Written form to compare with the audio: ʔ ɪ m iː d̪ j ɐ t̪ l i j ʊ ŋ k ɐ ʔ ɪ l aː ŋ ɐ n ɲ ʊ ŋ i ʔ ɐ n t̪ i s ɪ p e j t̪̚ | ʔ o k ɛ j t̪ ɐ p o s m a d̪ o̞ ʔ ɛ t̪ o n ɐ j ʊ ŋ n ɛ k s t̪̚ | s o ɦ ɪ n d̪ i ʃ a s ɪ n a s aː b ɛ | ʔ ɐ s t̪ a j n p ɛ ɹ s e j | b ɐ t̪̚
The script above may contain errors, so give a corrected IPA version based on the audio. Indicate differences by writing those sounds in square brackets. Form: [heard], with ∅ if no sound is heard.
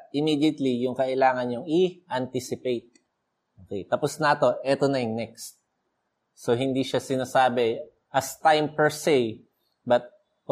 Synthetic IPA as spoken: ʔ ɪ m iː d̪ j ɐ t̪ l i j ʊ ŋ k ɐ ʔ ɪ l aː ŋ ɐ n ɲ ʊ ŋ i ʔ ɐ n t̪ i s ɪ p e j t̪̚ | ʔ o k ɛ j t̪ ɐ p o s [n] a [t̪] o̞ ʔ ɛ t̪ o n ɐ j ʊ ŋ n ɛ k s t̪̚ | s o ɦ ɪ n d̪ i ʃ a s ɪ n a s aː b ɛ | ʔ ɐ s t̪ a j [m] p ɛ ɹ s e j | b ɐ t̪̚